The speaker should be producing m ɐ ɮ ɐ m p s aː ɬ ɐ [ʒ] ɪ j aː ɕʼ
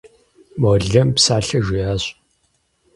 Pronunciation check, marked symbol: correct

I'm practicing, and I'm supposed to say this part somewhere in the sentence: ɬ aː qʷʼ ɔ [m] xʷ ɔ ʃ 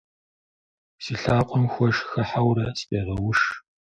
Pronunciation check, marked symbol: correct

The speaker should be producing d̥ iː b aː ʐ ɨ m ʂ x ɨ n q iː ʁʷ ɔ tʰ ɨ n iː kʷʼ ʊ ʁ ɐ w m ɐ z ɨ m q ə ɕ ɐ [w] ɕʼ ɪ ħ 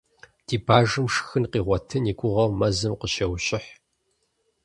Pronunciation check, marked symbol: correct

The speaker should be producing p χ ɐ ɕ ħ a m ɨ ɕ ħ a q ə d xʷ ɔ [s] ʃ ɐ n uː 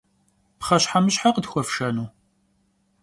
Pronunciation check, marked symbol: incorrect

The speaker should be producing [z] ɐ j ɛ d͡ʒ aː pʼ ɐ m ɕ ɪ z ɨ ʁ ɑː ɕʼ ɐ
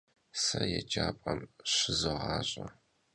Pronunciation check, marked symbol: incorrect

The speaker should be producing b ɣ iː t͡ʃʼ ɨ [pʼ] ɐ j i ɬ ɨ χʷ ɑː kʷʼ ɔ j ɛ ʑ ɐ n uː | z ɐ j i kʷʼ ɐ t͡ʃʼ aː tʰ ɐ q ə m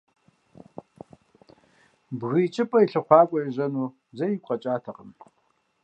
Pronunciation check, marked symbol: correct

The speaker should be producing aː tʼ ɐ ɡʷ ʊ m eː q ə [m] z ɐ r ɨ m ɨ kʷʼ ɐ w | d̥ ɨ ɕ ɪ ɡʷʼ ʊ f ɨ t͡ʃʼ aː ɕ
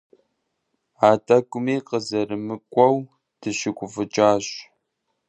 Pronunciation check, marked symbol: incorrect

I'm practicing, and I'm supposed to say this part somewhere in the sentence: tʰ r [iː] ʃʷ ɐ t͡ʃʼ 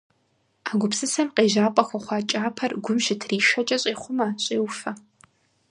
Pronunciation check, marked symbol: correct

